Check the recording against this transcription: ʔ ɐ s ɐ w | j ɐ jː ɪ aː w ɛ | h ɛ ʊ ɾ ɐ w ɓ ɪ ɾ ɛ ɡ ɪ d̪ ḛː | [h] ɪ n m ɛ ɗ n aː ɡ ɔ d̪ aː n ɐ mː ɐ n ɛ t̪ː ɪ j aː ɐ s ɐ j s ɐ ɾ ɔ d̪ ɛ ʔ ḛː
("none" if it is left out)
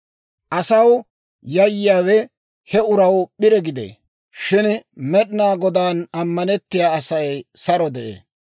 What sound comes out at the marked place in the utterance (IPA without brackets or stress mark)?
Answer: ʃ